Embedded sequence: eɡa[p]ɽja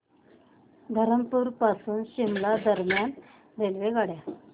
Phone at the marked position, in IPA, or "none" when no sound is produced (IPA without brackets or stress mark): none